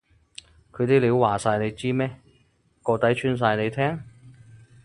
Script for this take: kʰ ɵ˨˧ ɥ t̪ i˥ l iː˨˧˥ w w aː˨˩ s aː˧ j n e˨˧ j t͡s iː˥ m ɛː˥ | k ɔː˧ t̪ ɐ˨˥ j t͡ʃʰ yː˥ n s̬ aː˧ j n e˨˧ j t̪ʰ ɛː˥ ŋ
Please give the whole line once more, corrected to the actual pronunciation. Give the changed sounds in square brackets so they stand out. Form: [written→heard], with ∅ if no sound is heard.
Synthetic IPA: kʰ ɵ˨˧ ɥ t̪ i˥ l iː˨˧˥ w w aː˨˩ s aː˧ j n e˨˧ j t͡s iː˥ m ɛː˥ | k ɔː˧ t̪ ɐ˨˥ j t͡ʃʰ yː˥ n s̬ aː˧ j n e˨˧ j t̪ʰ ɛː˥ ŋ